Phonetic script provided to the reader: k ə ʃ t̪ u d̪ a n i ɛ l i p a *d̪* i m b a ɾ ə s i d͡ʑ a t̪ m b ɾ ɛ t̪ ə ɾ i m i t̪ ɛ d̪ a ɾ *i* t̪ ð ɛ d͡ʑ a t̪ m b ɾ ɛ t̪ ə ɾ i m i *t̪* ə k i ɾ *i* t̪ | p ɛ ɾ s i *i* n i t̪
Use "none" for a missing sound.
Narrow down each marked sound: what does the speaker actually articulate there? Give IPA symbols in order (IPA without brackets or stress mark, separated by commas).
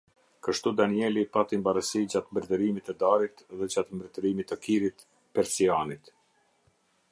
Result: t̪, i, t̪, i, a